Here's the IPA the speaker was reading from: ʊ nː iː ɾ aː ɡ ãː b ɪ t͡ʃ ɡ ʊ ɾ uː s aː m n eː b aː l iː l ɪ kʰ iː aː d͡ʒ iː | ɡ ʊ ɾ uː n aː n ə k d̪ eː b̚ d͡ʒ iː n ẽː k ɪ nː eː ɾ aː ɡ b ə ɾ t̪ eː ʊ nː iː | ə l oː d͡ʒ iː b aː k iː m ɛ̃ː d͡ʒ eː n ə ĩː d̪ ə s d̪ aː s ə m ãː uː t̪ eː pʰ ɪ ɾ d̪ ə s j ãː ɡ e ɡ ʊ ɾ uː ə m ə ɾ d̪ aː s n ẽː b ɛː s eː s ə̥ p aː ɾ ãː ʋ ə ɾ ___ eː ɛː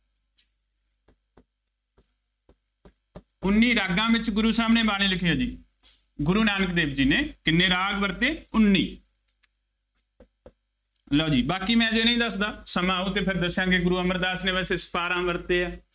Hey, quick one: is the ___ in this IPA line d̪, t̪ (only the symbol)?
t̪